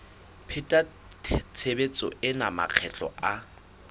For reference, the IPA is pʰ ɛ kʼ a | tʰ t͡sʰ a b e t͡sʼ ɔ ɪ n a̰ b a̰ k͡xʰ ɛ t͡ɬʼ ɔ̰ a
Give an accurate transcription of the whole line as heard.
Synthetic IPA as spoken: pʰ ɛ tʼ a | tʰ t͡sʰ e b e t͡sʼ ɔ ɪ n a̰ m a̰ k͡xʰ ɛ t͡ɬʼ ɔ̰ a